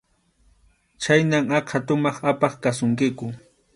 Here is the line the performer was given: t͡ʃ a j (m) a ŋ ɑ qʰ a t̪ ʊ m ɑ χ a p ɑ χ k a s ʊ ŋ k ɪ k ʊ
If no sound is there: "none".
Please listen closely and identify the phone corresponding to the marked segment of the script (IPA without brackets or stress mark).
n